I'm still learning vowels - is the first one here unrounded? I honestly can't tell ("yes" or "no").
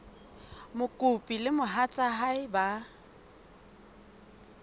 no